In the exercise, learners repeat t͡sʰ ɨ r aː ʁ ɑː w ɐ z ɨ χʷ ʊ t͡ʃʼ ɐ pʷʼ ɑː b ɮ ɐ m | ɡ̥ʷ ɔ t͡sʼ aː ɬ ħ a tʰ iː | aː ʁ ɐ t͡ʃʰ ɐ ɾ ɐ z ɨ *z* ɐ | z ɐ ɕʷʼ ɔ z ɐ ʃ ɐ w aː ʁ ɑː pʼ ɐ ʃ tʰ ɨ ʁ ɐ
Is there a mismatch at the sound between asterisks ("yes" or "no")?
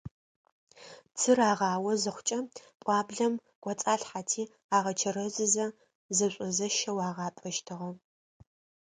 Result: no